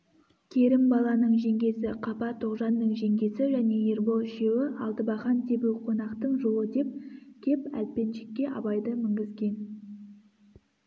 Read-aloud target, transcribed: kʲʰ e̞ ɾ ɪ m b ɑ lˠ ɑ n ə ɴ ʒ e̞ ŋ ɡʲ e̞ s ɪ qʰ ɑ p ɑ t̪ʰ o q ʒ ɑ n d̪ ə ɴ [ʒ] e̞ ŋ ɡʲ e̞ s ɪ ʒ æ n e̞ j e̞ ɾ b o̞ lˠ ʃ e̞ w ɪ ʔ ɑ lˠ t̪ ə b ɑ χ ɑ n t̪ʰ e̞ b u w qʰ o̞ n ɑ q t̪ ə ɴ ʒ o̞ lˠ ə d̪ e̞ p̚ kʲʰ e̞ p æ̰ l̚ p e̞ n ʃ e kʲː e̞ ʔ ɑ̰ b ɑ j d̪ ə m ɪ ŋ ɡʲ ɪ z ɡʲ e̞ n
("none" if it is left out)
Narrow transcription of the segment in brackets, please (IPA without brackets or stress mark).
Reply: ʒ